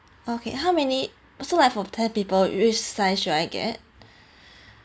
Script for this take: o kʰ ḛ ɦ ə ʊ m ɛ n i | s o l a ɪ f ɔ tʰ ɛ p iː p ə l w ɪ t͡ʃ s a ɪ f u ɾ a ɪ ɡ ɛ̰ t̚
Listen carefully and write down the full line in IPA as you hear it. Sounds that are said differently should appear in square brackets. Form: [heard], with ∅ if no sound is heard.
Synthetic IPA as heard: o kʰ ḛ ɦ [a] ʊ m ɛ n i | s o l a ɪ f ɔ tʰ ɛ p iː p ə l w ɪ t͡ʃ s a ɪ [ʃ] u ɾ a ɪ ɡ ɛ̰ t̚